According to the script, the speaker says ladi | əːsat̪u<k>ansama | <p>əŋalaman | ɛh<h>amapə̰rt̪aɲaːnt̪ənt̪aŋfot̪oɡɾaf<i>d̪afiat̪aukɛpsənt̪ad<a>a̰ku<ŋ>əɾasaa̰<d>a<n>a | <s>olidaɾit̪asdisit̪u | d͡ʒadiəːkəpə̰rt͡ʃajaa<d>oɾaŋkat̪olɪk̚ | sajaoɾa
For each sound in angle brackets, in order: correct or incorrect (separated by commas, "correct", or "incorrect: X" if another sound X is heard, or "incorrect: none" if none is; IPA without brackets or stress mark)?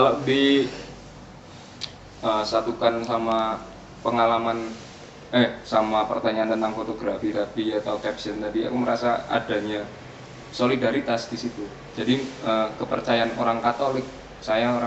correct, correct, incorrect: s, correct, incorrect: i, incorrect: m, correct, incorrect: ɲ, correct, incorrect: n